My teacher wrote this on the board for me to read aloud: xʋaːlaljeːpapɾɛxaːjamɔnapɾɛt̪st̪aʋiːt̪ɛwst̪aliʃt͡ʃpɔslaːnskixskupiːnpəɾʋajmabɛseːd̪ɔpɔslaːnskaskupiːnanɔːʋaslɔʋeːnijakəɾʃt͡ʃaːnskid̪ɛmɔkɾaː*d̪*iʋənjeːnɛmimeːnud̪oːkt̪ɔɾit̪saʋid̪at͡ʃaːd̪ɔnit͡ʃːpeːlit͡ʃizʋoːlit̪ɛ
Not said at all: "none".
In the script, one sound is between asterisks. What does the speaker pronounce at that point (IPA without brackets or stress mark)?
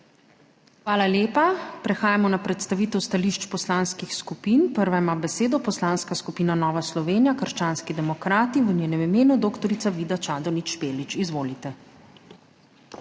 t̪